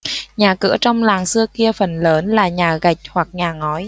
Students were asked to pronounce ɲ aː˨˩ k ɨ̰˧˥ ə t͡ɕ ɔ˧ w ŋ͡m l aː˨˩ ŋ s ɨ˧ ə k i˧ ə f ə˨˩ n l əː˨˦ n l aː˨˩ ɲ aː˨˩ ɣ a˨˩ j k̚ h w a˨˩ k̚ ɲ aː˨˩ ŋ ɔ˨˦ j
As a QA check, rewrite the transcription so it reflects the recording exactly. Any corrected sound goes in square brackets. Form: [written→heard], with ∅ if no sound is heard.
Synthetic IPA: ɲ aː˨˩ k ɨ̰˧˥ ə t͡ɕ ɔ˧ w ŋ͡m l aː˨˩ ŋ s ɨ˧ ə k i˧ ə f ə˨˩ n l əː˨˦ n l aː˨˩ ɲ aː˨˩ ɣ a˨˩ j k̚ h w a˨˩ k̚ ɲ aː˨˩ ŋ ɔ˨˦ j